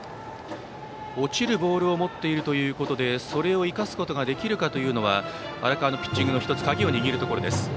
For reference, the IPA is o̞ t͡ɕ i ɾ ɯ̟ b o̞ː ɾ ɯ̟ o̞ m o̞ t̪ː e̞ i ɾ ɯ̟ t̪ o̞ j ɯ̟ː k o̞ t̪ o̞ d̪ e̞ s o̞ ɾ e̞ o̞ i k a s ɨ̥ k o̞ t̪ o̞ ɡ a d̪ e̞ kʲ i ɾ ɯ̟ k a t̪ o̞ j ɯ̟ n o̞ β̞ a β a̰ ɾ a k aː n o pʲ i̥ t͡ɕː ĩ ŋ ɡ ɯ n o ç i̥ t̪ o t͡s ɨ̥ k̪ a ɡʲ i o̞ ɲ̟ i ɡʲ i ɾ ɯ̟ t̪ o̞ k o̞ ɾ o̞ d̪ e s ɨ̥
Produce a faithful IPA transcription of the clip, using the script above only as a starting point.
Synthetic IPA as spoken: o̞ t͡ɕ i ɾ ɯ̟ b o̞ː ɾ ɯ̟ o̞ m o̞ t̪ː e̞ i ɾ ɯ̟ t̪ o̞ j ɯ̟ː k o̞ t̪ o̞ d̪ e̞ s o̞ ɾ e̞ o̞ i k a s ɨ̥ k o̞ t̪ o̞ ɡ a d̪ e̞ kʲ i ɾ ɯ̟ k a t̪ o̞ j ɯ̟ː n o̞ β̞ a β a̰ ɾ a k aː n o pʲ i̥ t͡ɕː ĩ ŋ ɡ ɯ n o ç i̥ t̪ o t͡s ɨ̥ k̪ a ɡʲ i o̞ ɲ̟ i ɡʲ i ɾ ɯ̟ t̪ o̞ k o̞ ɾ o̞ d̪ e s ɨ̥